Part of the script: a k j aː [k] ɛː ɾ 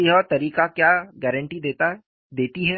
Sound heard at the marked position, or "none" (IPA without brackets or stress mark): ɡ